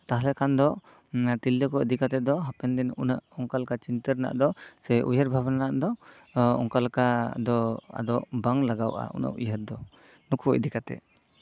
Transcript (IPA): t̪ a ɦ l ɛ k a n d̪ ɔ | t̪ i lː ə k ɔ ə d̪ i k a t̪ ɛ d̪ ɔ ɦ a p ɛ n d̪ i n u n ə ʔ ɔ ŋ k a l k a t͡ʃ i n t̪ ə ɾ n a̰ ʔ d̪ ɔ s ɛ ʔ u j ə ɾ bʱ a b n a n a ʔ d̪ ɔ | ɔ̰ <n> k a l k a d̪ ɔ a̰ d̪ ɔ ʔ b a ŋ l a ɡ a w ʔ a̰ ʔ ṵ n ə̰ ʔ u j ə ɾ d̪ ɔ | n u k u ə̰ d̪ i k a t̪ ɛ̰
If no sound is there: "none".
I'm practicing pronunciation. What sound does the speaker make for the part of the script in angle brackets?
ŋ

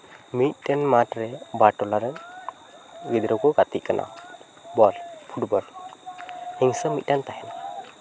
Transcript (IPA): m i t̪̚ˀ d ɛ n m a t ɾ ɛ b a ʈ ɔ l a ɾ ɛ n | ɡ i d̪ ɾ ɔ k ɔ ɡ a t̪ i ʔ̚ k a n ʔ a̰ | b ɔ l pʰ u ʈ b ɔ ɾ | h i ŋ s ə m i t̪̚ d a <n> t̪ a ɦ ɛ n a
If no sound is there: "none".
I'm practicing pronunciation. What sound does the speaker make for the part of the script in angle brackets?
n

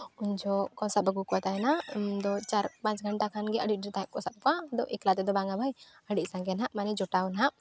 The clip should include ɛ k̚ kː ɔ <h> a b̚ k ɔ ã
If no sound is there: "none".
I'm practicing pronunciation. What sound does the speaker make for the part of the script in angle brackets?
s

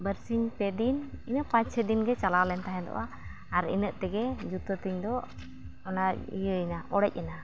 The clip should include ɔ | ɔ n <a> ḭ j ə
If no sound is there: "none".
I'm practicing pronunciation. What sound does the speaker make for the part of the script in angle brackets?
a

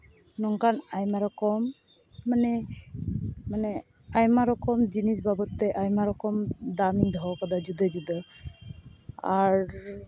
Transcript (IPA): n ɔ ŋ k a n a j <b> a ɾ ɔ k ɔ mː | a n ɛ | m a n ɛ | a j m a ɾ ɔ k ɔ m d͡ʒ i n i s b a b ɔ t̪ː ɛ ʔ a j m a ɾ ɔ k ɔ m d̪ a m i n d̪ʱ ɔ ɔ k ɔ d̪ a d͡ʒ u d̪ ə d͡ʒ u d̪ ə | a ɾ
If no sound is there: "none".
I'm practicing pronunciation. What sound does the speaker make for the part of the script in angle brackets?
m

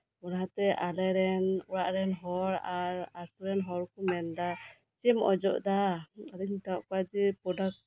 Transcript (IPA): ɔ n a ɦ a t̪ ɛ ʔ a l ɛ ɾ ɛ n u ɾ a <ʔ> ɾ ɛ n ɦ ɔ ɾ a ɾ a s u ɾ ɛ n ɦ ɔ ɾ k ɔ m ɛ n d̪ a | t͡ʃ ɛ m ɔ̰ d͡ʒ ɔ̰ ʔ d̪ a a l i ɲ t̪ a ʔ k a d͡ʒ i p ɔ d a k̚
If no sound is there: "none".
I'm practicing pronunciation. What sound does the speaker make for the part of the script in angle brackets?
ʔ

